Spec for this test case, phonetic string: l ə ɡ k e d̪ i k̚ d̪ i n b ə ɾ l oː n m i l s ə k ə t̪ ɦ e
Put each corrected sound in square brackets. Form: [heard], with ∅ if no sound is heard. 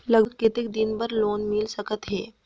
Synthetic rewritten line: l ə ɡ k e [t̪] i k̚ d̪ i n b ə ɾ l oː n m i l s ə k ə t̪ ɦ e